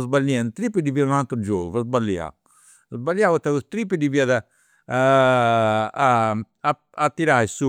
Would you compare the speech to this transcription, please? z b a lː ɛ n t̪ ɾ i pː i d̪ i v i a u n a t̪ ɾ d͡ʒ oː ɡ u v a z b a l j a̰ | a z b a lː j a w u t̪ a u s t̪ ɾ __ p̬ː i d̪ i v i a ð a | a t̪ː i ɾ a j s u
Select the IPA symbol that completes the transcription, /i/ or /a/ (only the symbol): i